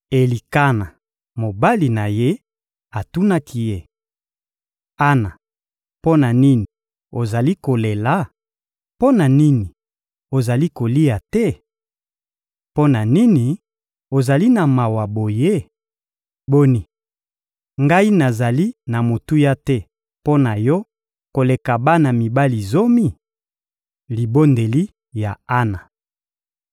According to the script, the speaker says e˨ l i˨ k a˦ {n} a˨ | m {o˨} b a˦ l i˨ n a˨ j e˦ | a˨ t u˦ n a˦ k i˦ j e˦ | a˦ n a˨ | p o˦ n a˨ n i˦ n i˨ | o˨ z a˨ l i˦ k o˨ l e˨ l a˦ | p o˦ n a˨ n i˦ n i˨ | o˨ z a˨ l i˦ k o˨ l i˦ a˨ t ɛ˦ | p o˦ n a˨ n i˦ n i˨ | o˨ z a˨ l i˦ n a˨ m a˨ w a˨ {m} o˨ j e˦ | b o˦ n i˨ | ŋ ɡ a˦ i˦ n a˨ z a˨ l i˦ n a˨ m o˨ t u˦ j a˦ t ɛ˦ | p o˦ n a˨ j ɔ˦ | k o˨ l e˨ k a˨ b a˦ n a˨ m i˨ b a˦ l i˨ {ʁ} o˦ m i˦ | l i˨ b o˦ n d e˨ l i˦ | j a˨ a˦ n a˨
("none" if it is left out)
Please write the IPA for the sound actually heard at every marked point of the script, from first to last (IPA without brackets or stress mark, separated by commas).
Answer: n, o˨, b, z